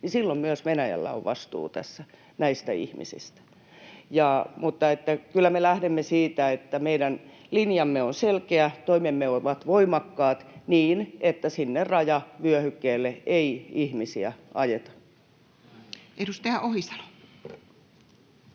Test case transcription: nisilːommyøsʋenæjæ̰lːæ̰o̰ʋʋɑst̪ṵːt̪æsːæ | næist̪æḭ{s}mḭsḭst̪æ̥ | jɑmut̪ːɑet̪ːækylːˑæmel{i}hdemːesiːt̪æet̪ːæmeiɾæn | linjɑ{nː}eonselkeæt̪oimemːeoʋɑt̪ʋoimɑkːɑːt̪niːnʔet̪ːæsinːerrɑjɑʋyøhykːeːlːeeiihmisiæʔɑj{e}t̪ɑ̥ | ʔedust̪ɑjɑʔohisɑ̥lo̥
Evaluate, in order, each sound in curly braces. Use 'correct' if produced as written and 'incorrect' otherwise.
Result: incorrect, incorrect, incorrect, correct

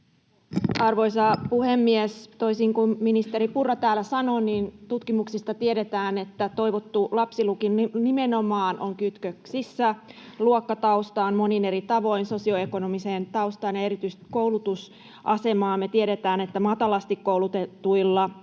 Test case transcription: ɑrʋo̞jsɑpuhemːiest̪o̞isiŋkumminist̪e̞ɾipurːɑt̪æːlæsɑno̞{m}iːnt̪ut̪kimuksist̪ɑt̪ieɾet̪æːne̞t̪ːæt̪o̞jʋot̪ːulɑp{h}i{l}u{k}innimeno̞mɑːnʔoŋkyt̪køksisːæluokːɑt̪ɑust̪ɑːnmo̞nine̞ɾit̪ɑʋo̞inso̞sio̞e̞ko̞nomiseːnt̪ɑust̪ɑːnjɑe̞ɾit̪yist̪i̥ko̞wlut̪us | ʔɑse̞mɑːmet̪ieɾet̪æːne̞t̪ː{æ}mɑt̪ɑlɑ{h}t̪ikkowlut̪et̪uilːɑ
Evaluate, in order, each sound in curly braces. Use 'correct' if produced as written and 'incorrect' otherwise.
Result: incorrect, incorrect, correct, correct, correct, incorrect

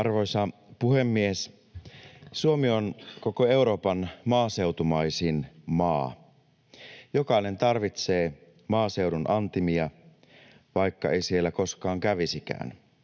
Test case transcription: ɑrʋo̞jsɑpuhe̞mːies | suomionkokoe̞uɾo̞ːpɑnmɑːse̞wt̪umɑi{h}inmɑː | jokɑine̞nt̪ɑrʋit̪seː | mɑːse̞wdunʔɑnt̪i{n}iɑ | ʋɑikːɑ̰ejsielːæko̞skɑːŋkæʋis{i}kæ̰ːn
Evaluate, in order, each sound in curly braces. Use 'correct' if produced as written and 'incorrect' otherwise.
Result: incorrect, incorrect, correct

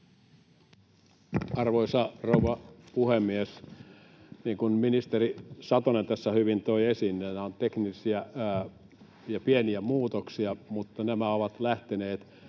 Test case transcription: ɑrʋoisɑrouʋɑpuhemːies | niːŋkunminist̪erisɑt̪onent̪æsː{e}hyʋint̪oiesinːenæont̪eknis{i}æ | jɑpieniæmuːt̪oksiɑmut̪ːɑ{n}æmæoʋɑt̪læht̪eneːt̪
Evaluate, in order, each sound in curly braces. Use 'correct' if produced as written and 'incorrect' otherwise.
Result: incorrect, correct, correct

